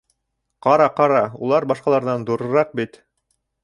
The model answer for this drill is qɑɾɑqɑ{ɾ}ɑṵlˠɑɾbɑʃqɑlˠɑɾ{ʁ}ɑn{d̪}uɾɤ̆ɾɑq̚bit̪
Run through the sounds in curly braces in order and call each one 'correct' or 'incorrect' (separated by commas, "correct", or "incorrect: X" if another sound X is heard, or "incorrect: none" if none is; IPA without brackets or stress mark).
correct, incorrect: ð, correct